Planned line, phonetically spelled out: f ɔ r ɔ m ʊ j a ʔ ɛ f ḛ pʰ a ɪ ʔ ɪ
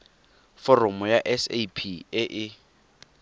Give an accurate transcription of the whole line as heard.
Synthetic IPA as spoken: f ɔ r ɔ m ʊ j a ʔ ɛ s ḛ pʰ i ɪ ʔ ɪ